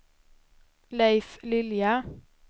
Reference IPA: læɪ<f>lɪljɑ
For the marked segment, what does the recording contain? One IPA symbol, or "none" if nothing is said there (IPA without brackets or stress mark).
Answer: f